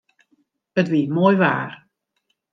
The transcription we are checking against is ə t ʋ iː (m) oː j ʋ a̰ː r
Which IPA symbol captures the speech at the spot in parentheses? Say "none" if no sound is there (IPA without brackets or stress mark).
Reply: m